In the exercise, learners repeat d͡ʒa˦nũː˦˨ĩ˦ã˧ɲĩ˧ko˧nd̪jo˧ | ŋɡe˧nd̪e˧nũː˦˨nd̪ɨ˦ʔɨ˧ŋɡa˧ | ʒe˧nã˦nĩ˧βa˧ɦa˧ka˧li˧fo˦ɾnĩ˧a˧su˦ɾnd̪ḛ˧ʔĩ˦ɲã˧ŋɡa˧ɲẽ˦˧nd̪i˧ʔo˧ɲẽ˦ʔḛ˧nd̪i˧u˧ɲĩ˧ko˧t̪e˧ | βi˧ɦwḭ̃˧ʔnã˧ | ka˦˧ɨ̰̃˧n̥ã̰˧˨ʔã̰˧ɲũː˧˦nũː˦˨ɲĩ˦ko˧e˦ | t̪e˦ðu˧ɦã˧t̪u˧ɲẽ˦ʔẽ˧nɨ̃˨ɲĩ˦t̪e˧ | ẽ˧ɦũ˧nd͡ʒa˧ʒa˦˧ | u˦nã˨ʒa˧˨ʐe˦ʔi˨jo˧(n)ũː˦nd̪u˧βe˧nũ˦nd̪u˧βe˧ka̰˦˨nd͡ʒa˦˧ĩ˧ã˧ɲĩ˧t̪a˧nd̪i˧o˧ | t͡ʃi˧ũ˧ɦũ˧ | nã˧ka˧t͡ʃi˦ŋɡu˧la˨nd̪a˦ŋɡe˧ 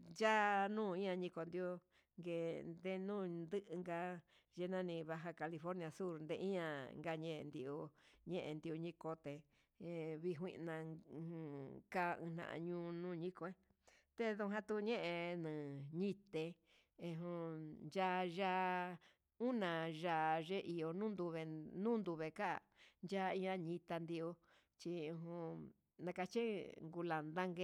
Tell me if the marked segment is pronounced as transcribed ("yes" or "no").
yes